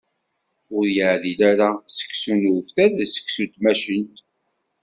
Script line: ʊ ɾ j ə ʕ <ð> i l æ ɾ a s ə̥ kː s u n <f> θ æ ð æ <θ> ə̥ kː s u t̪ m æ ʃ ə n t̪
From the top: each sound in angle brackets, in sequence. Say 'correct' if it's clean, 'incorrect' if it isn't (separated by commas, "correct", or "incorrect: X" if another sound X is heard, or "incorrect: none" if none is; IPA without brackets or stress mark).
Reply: correct, correct, incorrect: s